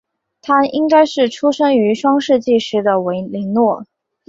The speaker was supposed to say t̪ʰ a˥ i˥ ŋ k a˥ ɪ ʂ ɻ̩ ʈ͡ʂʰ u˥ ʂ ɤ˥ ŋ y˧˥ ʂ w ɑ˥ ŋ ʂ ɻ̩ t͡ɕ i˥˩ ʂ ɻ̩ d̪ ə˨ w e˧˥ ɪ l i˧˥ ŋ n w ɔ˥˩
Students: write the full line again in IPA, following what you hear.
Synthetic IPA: t̪ʰ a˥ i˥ ŋ k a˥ ɪ ʂ ɻ̩ ʈ͡ʂʰ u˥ ʂ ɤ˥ ŋ y˧˥ ʂ w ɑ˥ ŋ ʂ ɻ̩ t͡ɕ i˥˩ ʂ ɻ̩ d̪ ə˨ w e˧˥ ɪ l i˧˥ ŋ n w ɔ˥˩